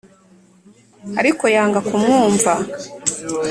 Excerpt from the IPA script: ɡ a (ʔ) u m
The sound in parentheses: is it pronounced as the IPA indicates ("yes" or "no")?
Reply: no